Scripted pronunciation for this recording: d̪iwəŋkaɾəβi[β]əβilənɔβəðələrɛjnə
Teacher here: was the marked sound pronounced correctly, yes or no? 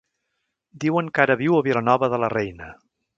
no